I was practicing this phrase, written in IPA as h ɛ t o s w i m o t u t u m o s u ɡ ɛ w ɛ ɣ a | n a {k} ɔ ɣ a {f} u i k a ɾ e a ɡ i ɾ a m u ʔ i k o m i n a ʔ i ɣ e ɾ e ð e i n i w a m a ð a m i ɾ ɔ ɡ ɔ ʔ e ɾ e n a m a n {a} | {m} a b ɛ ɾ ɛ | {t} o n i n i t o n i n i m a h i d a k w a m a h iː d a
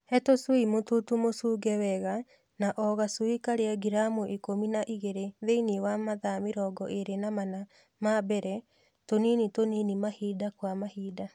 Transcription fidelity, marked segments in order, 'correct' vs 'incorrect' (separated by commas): incorrect, incorrect, correct, correct, correct